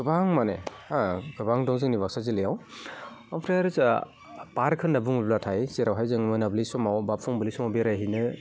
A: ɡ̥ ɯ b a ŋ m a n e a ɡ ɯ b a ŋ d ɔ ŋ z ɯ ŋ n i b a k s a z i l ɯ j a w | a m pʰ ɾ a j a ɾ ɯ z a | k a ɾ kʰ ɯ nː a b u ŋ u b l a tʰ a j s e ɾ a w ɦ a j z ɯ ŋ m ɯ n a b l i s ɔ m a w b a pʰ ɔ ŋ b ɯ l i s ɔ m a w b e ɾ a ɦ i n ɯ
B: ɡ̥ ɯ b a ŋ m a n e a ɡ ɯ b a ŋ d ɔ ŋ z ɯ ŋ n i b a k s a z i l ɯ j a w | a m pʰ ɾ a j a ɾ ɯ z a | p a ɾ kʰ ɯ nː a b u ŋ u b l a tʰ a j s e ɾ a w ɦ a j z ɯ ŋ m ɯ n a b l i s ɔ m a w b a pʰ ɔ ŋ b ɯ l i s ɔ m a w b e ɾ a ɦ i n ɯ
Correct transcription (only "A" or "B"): B